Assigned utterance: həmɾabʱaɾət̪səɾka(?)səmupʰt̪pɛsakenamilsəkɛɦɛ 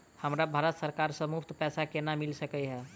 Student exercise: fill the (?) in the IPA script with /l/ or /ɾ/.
ɾ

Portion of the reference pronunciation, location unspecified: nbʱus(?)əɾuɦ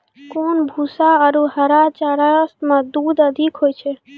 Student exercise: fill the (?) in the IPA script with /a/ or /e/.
a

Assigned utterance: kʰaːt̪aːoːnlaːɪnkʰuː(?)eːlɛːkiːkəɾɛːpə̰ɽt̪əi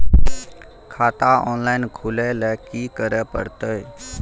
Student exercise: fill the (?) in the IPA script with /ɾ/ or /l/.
l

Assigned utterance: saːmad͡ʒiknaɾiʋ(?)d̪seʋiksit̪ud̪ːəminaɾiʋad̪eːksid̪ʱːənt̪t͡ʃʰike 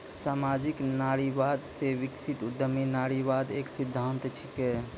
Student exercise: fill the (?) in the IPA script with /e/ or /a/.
a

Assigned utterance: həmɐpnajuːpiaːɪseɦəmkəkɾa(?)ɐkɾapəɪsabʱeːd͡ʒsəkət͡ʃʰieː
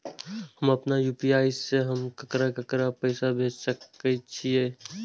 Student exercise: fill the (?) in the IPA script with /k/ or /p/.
k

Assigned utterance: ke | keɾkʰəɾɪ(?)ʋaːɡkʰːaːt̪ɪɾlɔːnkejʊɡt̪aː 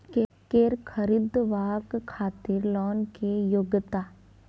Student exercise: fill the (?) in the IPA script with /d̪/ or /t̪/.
d̪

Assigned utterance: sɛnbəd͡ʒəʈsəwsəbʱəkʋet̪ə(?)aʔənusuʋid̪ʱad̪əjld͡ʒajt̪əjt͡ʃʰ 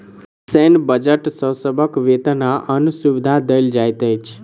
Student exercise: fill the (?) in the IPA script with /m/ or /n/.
n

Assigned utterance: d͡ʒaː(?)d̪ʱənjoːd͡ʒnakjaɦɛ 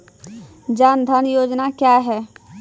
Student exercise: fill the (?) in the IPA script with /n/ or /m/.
n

